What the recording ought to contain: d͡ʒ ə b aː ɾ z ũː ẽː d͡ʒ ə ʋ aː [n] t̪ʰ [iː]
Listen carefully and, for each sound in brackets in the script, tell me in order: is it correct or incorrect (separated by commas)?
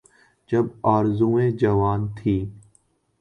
correct, correct